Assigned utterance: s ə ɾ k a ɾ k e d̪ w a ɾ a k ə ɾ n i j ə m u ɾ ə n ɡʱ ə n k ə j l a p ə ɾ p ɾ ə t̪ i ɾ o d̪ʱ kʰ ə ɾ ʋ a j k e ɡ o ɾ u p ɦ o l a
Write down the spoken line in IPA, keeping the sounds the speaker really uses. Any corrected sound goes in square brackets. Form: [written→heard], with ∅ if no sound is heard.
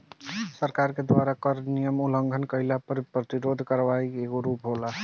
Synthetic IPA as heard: s ə ɾ k a ɾ k e d̪ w a ɾ a k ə ɾ n i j ə m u [ɾ→l] ə [n→ŋ] ɡʱ ə n k ə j l a p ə ɾ p ɾ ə t̪ i ɾ o d̪ʱ [kʰ→k] ə ɾ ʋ a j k e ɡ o ɾ u p ɦ o l a